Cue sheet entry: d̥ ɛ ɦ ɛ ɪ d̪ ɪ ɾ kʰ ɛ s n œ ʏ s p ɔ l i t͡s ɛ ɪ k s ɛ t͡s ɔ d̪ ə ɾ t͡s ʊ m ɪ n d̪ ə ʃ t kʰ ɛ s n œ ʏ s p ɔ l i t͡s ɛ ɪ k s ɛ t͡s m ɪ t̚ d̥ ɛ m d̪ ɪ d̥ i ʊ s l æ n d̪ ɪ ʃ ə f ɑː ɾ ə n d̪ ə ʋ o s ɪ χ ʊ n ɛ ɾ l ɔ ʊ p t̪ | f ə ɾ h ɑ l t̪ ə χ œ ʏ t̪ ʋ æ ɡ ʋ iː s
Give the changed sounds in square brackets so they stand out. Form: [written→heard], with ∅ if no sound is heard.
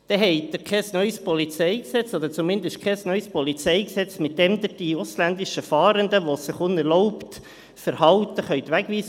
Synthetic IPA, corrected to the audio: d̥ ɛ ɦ ɛ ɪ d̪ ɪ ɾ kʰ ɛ s n œ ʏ s p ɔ l i t͡s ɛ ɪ k s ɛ t͡s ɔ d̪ ə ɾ t͡s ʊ m ɪ n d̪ ə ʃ t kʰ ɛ s n œ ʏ s p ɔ l i t͡s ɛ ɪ k s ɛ t͡s m ɪ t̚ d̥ ɛ m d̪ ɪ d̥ i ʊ s l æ n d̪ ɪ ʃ ə f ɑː ɾ ə n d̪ ə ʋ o s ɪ χ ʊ n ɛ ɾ l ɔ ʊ p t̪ | f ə ɾ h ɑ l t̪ ə χ œ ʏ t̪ ʋ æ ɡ ʋ iː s